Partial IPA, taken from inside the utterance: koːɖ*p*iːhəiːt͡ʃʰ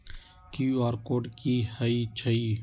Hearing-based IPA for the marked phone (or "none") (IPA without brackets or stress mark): k